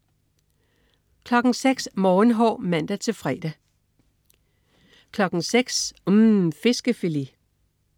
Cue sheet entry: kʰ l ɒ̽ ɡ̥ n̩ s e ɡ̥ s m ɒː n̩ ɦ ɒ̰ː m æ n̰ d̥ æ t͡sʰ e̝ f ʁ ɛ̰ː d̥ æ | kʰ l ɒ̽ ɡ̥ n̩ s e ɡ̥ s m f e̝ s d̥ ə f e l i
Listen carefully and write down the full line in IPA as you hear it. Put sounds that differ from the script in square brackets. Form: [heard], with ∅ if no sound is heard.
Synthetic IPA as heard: kʰ l ɒ̽ ɡ̥ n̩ s e ɡ̥ s m ɒː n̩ ɦ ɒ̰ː m æ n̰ d̥ æ t͡sʰ e̝ f ʁ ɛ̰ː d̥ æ | kʰ l ɒ̽ ɡ̥ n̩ s e ɡ̥ s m f e̝ s [ɡ̥] ə f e l i